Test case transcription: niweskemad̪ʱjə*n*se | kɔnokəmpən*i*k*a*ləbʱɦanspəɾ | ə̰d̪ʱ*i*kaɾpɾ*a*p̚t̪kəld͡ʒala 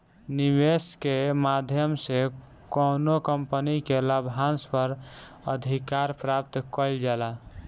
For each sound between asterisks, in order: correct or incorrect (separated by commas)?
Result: incorrect, correct, incorrect, correct, correct